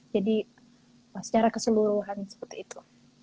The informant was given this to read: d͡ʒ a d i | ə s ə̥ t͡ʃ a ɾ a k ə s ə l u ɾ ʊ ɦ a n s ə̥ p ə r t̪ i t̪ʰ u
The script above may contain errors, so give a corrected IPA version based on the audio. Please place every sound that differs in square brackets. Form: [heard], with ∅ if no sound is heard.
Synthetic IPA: d͡ʒ a d i | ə s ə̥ t͡ʃ a ɾ a k ə s ə l u ɾ [u] ɦ a n s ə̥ p ə r t̪ [iː] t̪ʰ u